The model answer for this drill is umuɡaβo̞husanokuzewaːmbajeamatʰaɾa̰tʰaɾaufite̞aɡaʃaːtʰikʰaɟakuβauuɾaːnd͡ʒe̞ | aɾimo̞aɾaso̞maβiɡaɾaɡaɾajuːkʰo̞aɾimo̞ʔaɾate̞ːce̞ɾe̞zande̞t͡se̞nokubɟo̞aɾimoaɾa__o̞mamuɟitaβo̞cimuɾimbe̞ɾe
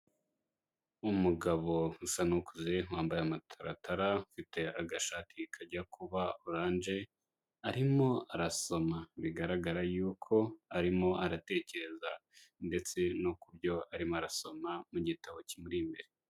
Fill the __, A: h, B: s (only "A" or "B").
B